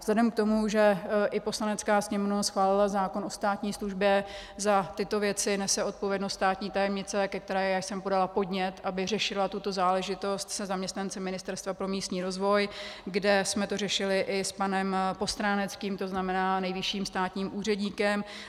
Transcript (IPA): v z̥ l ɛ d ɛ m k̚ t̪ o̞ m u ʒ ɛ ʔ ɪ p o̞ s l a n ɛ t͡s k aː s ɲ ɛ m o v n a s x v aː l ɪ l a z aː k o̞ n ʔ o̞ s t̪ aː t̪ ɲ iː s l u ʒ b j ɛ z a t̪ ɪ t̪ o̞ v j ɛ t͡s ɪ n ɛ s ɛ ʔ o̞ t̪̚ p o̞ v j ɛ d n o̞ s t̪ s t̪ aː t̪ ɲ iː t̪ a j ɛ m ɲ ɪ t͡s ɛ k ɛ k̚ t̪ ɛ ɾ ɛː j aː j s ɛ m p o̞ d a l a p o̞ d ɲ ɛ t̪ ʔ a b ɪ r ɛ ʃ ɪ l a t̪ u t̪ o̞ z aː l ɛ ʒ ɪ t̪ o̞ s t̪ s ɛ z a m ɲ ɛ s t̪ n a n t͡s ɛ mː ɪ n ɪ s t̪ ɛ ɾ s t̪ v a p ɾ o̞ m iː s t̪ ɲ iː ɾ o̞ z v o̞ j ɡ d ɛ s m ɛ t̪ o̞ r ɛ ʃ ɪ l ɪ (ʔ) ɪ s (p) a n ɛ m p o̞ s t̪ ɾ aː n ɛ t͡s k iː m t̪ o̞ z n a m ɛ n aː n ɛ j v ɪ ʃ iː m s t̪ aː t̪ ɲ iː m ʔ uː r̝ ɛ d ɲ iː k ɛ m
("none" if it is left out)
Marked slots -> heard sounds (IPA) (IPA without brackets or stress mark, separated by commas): ʔ, p